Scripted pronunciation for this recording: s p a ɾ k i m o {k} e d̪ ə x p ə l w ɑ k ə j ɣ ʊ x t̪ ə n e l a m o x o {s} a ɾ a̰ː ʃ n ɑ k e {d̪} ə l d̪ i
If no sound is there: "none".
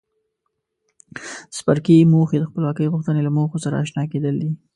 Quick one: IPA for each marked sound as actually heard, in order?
x, s, d̪

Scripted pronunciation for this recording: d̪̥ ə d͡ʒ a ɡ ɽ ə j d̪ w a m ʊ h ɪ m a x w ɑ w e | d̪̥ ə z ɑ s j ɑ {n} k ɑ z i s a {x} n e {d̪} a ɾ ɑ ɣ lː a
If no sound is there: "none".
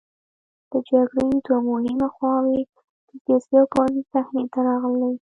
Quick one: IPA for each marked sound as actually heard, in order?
none, x, t̪

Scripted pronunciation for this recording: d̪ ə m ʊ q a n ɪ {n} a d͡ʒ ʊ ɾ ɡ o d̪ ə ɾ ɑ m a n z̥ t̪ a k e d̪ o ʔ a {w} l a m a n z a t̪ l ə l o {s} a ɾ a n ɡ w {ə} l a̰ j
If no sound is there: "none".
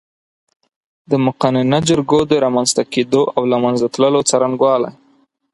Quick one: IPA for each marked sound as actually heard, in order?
n, w, t͡s, ɑ

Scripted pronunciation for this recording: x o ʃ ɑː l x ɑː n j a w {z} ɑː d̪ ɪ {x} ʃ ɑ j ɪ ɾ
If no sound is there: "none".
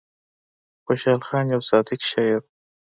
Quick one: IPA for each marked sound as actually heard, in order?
s, k

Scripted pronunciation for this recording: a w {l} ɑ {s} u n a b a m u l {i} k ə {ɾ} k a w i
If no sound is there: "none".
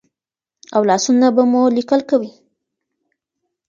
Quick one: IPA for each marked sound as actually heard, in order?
l, s, i, l

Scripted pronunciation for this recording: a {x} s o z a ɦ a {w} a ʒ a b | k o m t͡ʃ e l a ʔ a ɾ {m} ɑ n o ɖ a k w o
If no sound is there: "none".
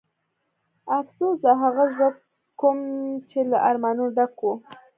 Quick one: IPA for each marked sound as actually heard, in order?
f, ɣ, m

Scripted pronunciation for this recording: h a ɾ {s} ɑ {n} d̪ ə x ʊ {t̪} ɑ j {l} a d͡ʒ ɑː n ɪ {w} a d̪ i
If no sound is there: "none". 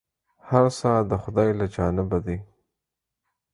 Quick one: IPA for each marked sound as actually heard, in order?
s, none, d̪, l, b

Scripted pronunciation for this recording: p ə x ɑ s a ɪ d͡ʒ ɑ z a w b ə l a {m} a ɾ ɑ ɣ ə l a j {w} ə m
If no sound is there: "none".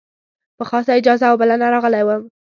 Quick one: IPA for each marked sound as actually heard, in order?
n, w

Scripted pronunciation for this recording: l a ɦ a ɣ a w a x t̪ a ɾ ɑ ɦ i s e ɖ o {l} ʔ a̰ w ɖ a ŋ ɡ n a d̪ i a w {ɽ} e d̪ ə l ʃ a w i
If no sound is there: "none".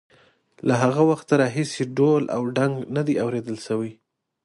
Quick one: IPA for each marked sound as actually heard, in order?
l, ɾ

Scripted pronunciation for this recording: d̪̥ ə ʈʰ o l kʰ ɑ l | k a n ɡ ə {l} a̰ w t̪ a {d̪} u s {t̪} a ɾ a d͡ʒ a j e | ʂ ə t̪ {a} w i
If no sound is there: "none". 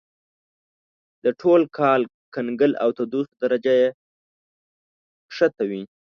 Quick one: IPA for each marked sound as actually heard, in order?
l, d̪, d̪, a

